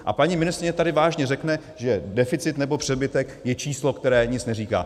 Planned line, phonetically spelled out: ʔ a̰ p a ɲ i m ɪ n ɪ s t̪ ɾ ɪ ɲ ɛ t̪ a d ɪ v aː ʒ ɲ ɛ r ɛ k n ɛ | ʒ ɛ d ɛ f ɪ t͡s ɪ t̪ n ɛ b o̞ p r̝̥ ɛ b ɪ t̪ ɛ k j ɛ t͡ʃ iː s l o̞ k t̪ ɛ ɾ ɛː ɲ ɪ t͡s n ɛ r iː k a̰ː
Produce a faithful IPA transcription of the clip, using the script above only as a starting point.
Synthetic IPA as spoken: ʔ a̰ p a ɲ i m ɪ n ɪ s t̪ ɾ ɪ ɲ ɛ t̪ a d ɪ v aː ʒ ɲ ɛ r ɛ k n ɛ | ʒ ɛ d ɛ f ɪ t͡s ɪ t̪ n ɛ b o̞ p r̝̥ ɛ b ɪ t̪ ɛ k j ɛ t͡ʃ iː s l o̞ k t̪ ɛ ɾ ɛː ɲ ɪ t͡s n ɛ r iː k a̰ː